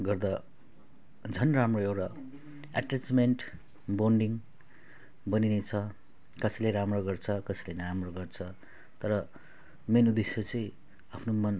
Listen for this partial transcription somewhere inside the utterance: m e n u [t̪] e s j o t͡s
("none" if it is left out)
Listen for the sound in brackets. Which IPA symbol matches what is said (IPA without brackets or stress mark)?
d̪